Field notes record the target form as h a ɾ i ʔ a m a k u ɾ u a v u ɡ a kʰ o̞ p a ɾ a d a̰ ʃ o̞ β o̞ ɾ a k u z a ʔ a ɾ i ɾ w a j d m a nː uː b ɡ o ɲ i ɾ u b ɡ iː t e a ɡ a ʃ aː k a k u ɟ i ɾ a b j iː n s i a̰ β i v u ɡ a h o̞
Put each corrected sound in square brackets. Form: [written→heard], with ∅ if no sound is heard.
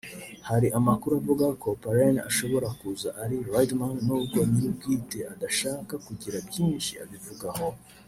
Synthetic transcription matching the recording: h a ɾ i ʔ a m a k u ɾ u a v u ɡ a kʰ o̞ p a ɾ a [d→n] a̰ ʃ o̞ β o̞ ɾ a k u z a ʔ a ɾ i ɾ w a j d m a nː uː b ɡ o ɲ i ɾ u b ɡ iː t e a [ɡ→d] a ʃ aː k a k u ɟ i ɾ a b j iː n [s→ʃ] i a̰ β i v u ɡ a h o̞